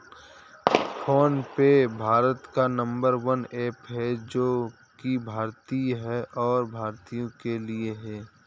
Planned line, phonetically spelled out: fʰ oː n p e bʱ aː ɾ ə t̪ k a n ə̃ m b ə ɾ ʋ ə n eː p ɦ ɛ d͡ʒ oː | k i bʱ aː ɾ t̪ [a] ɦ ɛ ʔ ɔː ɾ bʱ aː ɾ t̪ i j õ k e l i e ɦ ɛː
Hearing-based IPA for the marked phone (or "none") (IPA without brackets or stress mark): i